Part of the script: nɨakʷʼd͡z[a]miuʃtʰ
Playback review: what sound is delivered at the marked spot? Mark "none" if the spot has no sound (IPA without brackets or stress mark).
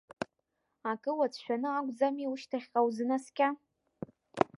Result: a